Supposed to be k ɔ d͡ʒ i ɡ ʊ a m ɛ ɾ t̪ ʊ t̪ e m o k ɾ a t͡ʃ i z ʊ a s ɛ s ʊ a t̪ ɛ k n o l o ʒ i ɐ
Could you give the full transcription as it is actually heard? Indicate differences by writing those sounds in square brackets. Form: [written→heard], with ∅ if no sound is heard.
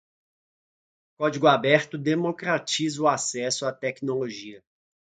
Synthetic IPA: k ɔ d͡ʒ i ɡ ʊ a [m→b] ɛ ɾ t̪ ʊ [t̪→d̪] e m o k ɾ a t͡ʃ i z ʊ a s ɛ s ʊ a t̪ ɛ k n o l o ʒ i ɐ